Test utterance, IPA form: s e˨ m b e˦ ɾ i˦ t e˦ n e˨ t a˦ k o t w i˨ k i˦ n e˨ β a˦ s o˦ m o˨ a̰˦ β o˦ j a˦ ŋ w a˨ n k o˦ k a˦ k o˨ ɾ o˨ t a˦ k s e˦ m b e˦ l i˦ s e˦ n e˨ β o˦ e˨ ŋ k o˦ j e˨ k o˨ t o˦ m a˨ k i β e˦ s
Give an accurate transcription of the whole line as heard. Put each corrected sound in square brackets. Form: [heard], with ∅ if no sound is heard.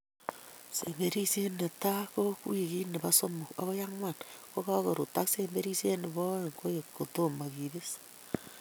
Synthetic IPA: s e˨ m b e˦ ɾ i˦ [s] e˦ n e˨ t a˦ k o [k] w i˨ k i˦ n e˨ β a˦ s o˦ m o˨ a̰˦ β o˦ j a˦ ŋ w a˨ n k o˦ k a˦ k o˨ ɾ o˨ t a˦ k s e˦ m b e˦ [ɾ] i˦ s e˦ n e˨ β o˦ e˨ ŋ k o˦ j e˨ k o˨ t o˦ m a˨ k i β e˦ s